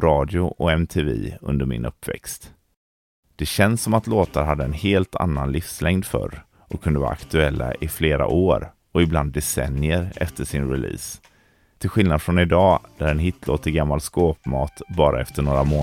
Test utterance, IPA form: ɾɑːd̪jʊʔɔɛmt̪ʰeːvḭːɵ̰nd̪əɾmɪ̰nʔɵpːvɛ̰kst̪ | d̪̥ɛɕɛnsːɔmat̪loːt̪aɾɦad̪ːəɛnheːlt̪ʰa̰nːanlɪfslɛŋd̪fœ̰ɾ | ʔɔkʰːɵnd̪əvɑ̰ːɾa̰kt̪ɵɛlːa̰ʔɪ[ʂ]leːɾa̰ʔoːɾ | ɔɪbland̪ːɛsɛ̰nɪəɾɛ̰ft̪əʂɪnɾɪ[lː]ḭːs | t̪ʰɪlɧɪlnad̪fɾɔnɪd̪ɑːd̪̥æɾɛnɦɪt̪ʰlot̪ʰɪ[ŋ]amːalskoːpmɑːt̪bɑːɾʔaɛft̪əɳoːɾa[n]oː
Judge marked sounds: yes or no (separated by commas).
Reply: no, no, no, no